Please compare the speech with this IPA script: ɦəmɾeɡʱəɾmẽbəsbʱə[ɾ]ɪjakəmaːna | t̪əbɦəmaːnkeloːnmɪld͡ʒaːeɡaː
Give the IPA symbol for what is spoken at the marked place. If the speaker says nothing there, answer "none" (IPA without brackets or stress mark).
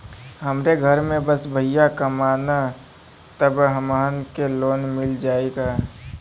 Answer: none